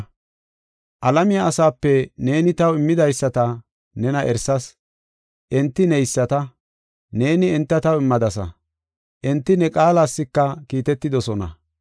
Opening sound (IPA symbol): ʔ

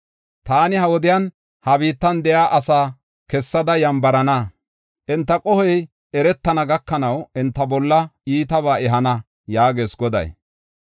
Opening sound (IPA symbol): t̪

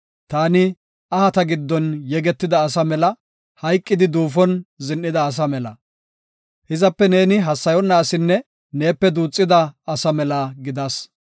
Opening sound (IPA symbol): t̪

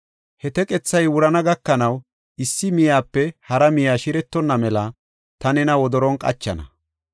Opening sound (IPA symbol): h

